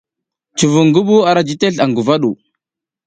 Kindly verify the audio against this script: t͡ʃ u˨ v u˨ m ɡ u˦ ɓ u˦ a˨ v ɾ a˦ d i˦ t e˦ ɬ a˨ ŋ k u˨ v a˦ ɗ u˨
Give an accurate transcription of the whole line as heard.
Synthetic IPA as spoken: t͡ʃ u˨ v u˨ ŋ ɡ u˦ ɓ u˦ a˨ ɾ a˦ d͡ʒ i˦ t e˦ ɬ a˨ ŋ ɡ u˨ v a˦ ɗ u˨